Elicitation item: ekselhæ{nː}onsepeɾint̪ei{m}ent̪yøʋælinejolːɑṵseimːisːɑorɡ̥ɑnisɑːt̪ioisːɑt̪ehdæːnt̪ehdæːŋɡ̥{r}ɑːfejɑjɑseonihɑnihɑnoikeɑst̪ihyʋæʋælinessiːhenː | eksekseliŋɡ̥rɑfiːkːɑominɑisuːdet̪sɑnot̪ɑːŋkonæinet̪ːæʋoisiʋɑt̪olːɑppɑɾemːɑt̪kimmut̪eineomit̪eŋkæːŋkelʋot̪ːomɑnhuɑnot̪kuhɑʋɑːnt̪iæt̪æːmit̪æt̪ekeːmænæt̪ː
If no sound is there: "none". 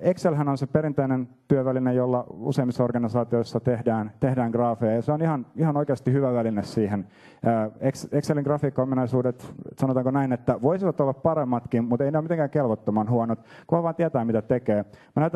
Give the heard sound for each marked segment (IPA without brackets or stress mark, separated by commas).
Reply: n, n, r